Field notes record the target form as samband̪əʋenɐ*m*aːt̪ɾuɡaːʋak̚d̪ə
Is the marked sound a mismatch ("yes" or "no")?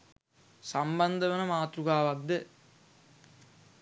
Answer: no